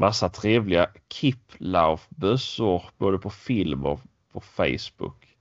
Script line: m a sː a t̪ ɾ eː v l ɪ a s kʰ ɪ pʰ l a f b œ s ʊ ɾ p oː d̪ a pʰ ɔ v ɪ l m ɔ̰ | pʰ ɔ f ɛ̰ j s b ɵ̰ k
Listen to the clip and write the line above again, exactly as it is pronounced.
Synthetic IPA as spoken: m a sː a t̪ʰ ɾ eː v l ɪ a kʰ ɪ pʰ l a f b œ s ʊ ɾ b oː d̪ ə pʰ ɔ f ɪ l m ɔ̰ | pʰ ɔ f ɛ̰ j s b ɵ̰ k